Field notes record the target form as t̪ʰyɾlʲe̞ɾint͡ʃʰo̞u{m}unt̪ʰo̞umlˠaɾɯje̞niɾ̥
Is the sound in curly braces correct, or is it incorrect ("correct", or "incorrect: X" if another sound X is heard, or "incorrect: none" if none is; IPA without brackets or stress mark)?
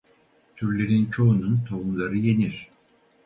incorrect: n